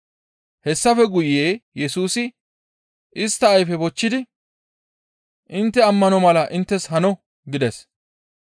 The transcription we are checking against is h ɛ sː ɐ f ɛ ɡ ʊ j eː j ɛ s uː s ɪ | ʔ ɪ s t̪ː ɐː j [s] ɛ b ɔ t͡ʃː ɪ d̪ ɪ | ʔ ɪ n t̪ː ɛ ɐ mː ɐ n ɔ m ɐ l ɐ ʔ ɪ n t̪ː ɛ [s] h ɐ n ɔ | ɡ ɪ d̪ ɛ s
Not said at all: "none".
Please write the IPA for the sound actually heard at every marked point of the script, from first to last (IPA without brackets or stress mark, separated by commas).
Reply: f, s